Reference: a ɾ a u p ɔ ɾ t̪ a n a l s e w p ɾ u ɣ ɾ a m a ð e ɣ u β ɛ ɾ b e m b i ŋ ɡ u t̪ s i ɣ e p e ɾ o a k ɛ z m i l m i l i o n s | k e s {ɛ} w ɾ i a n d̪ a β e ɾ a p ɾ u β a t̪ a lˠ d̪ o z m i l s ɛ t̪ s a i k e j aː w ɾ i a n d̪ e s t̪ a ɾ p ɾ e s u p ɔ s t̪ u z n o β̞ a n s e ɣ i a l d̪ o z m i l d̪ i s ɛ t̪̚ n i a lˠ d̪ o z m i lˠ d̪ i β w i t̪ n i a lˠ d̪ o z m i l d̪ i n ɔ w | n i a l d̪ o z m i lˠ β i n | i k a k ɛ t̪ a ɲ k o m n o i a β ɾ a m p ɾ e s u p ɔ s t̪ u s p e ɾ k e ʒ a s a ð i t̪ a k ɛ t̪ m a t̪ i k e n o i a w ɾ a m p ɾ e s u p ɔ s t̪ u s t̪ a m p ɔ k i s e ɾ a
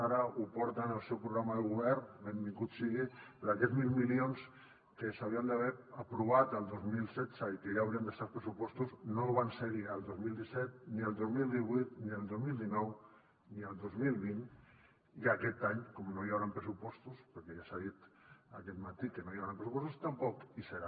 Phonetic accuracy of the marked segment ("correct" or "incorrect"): incorrect